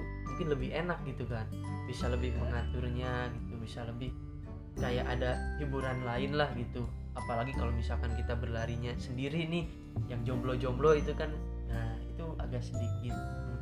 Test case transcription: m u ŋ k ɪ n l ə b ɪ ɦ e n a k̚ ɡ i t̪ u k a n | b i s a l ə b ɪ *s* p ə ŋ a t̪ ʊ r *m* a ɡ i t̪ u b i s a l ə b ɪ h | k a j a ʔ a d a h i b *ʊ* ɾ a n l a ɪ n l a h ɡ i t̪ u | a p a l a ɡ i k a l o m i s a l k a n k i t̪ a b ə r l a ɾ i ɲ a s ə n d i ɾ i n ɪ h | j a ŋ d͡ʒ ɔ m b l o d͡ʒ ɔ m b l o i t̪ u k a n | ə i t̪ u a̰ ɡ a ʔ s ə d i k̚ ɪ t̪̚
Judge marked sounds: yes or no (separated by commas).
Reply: no, no, no